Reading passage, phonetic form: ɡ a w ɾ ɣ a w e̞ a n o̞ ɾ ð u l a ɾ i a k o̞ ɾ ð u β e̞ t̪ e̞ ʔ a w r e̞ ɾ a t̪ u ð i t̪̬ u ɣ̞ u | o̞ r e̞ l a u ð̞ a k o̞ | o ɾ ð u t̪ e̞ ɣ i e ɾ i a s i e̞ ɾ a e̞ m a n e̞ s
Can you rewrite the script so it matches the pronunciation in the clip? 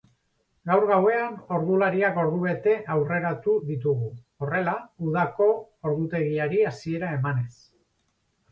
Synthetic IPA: ɡ a w ɾ ɣ a w e̞ a n o̞ ɾ ð u l a ɾ i a k o̞ ɾ ð u β e̞ t̪ e̞ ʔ a w r e̞ ɾ a t̪ u ð i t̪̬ u ɣ̞ u | o̞ r e̞ l a u ð̞ a k o̞ | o ɾ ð u t̪ e̞ ɣ i a ɾ i a s i e̞ ɾ a e̞ m a n e̞ s